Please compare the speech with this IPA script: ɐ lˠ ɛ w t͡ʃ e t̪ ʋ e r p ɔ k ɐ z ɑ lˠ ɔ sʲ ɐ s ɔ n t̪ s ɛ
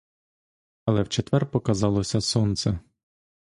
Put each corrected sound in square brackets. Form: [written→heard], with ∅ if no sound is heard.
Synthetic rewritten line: ɐ lˠ ɛ w t͡ʃ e t̪ ʋ [e→ɛ] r p ɔ k ɐ z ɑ lˠ ɔ sʲ ɐ s ɔ n t̪ s ɛ